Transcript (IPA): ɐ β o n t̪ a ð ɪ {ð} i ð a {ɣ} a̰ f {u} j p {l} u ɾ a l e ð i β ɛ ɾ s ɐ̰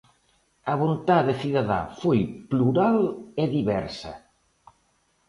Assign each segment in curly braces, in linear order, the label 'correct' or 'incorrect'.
incorrect, incorrect, incorrect, correct

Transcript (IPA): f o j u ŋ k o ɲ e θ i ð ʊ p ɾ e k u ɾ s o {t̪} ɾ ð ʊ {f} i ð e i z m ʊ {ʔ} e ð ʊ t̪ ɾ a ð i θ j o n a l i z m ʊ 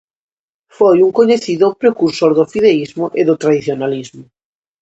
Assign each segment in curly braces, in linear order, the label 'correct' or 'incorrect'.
incorrect, correct, correct

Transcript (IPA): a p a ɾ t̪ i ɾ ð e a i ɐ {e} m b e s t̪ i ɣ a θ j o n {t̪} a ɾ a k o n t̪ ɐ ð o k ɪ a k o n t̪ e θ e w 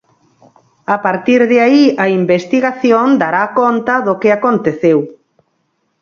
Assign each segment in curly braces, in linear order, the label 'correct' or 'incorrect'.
incorrect, incorrect

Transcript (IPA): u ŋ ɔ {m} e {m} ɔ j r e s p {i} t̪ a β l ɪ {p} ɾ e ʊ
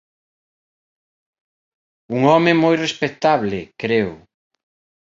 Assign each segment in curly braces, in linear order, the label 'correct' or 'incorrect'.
correct, correct, incorrect, incorrect

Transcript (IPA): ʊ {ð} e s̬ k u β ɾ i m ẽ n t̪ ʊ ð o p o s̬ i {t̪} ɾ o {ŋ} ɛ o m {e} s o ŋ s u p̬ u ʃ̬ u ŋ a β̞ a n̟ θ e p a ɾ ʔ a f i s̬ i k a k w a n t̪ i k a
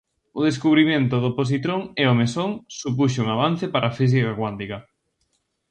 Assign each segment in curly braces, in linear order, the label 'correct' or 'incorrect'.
correct, correct, correct, correct

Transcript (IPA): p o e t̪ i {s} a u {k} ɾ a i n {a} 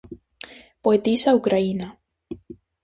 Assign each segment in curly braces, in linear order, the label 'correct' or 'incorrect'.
correct, correct, correct

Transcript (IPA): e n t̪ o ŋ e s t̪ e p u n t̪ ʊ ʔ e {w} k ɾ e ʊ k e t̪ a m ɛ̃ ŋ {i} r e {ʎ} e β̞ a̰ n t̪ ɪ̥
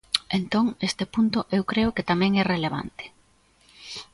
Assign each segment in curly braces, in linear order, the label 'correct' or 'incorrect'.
correct, incorrect, incorrect

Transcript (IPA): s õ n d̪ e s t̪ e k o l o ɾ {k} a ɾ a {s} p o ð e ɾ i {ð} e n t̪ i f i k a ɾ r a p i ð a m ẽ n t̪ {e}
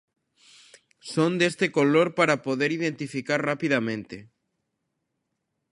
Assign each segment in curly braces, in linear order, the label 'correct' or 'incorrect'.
incorrect, incorrect, correct, correct

